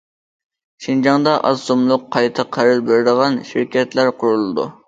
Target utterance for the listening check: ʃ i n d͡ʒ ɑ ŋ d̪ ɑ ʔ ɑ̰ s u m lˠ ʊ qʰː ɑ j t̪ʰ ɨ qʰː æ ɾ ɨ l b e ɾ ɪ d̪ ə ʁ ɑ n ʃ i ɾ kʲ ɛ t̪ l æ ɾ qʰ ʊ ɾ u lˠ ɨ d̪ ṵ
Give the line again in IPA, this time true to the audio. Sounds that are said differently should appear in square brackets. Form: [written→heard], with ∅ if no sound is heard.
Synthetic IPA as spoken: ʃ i n d͡ʒ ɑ ŋ d̪ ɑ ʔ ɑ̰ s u m lˠ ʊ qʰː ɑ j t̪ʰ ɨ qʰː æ ɾ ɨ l b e ɾ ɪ d̪ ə ʁ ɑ n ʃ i ɾ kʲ ɛ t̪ l æ ɾ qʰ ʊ ɾ u lˠ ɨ d̪ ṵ